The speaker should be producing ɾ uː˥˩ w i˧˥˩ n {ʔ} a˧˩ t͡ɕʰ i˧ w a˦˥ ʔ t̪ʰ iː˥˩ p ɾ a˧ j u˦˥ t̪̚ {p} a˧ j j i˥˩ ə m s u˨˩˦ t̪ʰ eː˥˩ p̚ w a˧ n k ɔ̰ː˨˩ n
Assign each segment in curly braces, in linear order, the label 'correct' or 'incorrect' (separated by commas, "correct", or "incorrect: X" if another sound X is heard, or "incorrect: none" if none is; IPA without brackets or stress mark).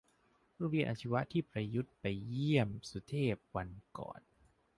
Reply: correct, correct